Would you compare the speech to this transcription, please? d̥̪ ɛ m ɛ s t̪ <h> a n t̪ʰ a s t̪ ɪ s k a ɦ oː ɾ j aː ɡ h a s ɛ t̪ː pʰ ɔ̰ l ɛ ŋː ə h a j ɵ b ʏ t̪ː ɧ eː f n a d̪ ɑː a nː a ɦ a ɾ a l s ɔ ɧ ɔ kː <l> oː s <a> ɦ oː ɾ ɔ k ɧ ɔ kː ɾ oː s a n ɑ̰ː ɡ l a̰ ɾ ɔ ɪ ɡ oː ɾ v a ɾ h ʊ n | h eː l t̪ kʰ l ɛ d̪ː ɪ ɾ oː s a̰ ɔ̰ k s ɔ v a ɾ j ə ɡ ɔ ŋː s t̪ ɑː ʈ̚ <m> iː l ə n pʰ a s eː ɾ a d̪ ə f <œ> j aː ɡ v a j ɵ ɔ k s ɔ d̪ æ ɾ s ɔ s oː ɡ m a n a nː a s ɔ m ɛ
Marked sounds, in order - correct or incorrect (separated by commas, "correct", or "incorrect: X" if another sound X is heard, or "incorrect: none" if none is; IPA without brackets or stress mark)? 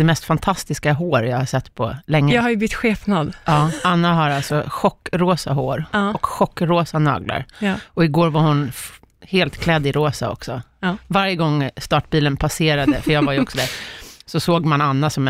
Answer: incorrect: f, incorrect: ɾ, correct, incorrect: b, correct